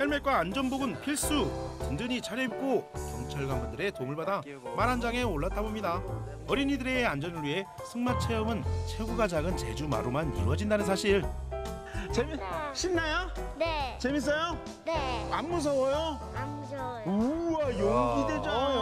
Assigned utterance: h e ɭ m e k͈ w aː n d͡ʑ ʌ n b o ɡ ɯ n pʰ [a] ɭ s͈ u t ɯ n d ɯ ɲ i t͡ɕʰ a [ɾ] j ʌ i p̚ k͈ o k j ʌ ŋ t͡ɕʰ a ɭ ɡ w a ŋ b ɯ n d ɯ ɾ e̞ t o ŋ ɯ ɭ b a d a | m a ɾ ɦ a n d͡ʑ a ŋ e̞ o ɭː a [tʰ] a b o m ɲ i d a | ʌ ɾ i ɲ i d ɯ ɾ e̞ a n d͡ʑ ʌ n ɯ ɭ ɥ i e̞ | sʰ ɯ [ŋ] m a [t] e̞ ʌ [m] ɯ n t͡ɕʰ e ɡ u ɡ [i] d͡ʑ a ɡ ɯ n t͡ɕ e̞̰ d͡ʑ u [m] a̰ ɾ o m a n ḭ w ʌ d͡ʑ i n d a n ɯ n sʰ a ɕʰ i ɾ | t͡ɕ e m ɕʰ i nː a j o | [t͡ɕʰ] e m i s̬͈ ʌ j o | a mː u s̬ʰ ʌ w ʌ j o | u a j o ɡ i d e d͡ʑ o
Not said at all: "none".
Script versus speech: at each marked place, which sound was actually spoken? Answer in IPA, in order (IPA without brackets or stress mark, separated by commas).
i, ɾ, tʰ, ŋ, t͡ɕʰ, m, a, m, t͡ɕ